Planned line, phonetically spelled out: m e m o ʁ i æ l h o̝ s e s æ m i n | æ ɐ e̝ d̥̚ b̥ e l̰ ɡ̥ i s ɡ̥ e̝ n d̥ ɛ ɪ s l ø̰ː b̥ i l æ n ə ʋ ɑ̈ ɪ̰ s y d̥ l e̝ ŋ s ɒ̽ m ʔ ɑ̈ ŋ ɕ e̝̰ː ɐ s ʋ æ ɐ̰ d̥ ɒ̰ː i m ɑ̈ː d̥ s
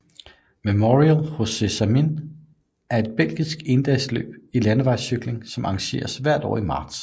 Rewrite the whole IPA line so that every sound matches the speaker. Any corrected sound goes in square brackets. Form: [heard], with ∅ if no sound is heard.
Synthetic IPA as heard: m e m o ʁ i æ l h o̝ s e s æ m i n | æ ɐ e̝ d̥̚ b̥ e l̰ ɡ̥ i s ɡ̥ e̝ n d̥ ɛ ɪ s l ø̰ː b̥ i l æ n ə ʋ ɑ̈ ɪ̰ s y [ɡ̥] l e̝ ŋ s ɒ̽ m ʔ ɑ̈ ŋ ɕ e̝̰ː ɐ s ʋ æ ɐ̰ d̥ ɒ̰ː i m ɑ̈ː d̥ s